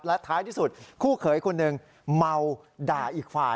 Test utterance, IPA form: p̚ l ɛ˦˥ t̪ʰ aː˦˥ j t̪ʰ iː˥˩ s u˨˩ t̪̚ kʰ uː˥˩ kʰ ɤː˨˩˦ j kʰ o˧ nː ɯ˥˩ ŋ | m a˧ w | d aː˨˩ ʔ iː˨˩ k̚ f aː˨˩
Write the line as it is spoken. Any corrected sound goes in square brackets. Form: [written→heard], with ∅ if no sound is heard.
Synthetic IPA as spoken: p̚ l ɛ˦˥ t̪ʰ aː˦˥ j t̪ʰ iː˥˩ s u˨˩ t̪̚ kʰ uː˥˩ kʰ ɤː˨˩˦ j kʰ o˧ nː [ɯ˥˩→ɯ˨˩] ŋ | m a˧ w | d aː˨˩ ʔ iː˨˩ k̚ f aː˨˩